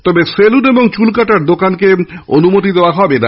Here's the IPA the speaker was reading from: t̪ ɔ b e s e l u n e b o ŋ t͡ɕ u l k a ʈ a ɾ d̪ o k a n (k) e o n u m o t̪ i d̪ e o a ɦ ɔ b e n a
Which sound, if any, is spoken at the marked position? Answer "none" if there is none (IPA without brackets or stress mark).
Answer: k